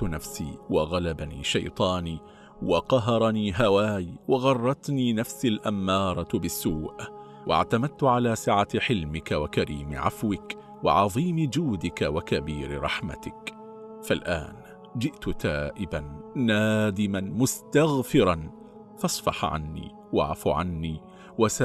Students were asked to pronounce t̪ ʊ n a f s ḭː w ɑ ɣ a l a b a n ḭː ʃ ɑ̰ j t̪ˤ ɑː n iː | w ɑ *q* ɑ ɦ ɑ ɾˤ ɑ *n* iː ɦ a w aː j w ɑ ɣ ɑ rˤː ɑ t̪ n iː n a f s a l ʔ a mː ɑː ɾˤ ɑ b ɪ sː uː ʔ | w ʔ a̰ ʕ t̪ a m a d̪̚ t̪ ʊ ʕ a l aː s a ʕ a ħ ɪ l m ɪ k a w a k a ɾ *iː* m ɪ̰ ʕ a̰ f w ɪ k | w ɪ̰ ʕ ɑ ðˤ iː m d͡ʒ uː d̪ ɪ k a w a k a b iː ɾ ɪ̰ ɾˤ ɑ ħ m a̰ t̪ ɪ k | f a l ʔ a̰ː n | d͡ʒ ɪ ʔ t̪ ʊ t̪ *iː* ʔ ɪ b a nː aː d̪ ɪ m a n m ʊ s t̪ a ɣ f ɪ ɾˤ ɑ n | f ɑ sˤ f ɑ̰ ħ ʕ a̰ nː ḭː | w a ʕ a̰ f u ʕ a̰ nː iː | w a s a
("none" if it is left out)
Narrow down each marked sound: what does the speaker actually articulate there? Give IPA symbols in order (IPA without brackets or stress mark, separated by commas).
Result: q, n, iː, aː